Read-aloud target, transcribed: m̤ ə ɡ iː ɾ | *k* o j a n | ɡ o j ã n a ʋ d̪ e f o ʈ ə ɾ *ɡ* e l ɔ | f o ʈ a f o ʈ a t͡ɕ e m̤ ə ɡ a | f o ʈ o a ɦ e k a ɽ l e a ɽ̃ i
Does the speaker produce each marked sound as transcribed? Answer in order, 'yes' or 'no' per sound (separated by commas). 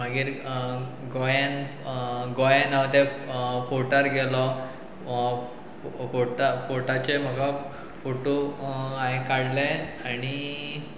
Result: no, yes